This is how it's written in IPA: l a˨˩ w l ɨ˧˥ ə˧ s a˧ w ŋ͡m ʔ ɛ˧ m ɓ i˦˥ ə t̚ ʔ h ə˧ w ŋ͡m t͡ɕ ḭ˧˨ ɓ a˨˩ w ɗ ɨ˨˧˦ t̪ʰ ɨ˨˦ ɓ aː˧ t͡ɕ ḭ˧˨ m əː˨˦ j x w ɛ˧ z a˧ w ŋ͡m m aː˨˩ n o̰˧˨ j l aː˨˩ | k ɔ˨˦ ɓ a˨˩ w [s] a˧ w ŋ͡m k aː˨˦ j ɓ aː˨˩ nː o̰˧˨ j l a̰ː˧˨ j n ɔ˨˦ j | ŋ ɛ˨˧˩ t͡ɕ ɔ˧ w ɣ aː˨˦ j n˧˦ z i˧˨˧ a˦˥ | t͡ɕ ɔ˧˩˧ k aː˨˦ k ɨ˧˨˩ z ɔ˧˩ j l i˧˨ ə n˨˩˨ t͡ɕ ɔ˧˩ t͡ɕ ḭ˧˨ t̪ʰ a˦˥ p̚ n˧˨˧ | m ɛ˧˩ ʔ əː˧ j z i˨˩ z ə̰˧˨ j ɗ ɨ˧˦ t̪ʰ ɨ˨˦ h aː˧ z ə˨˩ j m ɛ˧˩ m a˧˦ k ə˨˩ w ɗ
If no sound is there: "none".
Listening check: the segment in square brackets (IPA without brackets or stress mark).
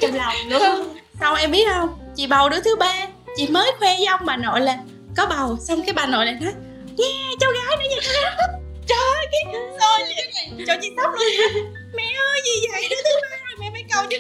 s